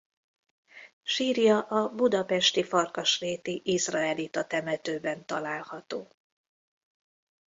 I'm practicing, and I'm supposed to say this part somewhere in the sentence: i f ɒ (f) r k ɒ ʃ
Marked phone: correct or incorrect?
incorrect